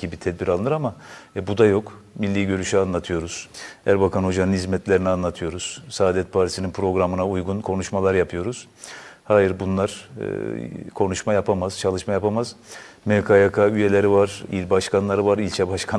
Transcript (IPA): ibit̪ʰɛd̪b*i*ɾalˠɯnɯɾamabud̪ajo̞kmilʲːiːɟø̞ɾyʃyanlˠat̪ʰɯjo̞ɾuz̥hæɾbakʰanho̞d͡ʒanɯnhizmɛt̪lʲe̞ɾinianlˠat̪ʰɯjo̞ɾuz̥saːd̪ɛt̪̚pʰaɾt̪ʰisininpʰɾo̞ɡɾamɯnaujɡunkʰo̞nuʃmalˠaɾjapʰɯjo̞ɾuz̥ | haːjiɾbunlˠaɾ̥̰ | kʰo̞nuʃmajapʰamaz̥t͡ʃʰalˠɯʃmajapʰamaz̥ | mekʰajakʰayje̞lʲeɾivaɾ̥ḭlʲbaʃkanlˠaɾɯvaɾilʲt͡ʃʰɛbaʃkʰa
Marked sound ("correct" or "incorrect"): correct